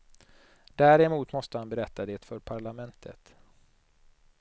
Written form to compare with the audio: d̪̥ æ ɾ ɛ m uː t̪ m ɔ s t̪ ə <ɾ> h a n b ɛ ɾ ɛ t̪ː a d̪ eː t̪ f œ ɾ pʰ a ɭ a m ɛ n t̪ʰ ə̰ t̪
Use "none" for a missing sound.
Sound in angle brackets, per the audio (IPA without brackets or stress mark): none